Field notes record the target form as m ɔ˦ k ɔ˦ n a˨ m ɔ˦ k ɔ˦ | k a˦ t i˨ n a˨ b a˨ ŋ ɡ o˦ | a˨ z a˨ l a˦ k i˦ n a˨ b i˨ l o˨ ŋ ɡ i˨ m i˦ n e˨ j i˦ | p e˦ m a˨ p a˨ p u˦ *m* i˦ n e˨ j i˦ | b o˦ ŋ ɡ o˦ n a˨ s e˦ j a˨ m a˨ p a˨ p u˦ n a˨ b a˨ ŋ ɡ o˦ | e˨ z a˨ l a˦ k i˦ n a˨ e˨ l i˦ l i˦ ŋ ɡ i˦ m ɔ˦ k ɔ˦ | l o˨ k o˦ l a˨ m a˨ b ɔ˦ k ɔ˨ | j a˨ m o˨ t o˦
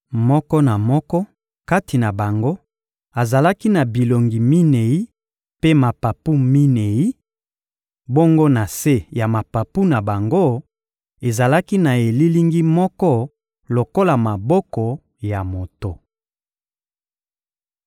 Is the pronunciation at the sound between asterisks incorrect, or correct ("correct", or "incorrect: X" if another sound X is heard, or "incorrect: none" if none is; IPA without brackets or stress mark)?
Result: correct